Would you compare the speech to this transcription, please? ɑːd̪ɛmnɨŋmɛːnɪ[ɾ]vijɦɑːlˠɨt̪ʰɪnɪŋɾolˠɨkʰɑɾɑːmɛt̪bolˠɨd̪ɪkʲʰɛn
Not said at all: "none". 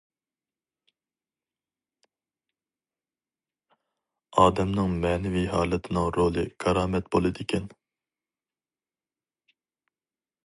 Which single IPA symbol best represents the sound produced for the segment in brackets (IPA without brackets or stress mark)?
none